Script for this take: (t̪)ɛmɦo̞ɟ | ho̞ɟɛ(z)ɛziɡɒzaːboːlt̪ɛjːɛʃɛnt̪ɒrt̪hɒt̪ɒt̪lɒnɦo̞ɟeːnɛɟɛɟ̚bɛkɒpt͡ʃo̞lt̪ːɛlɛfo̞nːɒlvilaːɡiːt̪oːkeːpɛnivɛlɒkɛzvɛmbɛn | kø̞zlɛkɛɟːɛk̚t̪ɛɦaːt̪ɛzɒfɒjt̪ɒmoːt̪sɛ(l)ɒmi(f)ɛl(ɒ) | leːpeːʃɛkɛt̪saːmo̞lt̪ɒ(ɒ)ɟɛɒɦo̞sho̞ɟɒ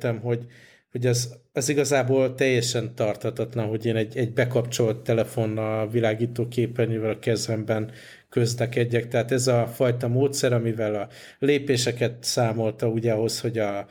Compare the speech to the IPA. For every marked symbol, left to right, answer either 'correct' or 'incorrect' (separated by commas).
correct, correct, incorrect, incorrect, correct, incorrect